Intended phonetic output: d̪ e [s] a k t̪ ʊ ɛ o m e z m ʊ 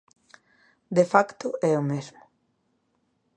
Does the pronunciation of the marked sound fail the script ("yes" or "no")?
yes